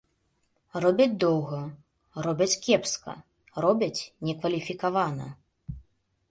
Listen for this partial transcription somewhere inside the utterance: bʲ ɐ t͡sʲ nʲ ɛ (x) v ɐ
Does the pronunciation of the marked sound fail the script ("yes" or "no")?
yes